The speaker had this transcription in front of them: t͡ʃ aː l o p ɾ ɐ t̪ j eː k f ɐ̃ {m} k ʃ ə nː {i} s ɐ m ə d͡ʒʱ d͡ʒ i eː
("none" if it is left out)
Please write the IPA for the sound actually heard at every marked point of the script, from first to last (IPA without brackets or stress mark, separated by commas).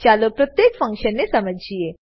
ŋ, e